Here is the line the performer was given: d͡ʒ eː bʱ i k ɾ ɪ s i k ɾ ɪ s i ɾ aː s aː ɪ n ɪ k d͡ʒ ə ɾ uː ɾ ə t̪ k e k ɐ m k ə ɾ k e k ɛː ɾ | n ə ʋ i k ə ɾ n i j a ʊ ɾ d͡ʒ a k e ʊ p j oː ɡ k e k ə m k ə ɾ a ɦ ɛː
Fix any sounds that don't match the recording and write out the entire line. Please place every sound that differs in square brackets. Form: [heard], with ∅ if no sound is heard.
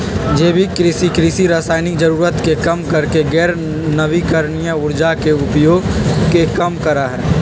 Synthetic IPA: d͡ʒ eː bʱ i k ɾ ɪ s i k ɾ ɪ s i ɾ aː s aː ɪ n ɪ k d͡ʒ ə ɾ uː ɾ ə t̪ k e k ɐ m k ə ɾ k e [ɡ] ɛː ɾ | n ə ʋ i k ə ɾ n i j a ʊ ɾ d͡ʒ a k e ʊ p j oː ɡ k e k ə m k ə ɾ a ɦ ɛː